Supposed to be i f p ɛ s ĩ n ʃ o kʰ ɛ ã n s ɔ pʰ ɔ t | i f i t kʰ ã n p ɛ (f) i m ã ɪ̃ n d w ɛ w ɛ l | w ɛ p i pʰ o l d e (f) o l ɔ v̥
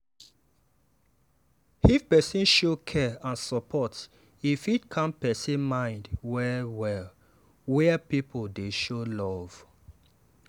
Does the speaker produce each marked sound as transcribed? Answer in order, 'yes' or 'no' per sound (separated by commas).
no, no